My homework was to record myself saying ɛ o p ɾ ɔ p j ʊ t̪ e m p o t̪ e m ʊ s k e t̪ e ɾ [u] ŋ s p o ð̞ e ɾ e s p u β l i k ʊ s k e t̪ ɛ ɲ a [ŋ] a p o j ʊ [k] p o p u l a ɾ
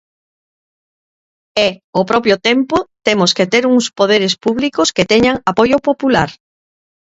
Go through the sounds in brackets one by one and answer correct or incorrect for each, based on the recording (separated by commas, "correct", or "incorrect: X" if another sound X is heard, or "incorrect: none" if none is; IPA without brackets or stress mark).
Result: correct, correct, incorrect: none